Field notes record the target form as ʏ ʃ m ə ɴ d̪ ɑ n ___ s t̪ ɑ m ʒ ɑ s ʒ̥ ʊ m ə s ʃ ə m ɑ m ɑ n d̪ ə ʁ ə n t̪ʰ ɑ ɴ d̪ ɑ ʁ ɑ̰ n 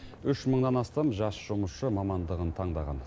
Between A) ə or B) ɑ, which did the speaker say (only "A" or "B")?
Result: B